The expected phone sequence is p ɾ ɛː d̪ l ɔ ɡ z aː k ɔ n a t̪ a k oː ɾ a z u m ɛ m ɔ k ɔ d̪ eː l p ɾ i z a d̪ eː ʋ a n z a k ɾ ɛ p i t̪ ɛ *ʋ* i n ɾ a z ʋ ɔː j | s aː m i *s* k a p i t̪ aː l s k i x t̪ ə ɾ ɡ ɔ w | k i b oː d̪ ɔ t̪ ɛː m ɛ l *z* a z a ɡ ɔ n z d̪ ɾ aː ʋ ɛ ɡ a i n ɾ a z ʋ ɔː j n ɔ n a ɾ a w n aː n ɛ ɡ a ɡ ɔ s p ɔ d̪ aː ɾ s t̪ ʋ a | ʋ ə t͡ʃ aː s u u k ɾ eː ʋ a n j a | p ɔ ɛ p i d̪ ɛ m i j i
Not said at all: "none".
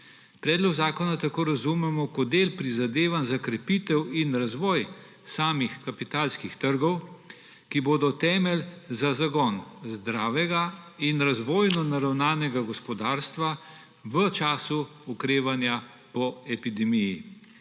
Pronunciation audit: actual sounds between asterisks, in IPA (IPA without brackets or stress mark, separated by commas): w, x, z